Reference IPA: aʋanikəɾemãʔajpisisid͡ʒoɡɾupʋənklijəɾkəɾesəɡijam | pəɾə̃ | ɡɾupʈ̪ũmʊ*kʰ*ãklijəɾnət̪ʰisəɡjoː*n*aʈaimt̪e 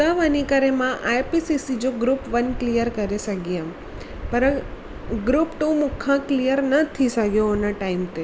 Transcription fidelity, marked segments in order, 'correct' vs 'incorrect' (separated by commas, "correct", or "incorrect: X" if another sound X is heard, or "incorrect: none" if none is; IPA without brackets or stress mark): correct, correct